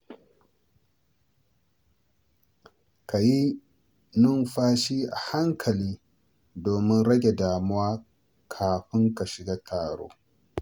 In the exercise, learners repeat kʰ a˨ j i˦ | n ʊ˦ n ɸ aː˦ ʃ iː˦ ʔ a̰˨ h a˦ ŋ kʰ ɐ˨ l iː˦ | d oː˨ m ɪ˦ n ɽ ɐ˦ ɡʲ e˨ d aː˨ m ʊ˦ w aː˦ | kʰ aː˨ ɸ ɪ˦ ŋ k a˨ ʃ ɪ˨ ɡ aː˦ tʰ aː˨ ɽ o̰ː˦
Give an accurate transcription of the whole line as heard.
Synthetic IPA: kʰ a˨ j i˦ | n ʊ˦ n ɸ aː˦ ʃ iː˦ ʔ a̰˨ h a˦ ŋ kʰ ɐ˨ l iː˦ | d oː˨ m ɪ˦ n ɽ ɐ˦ ɡʲ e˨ d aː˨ m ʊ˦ w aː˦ | kʰ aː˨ ɸ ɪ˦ ŋ k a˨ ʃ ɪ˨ ɡ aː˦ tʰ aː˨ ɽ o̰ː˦